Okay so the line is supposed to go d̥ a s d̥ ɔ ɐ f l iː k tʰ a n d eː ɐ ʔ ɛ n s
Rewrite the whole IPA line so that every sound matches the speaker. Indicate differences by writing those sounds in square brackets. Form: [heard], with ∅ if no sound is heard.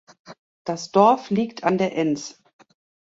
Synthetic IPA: d̥ a s d̥ ɔ ɐ f l iː k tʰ a n d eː ɐ ʔ ɛ n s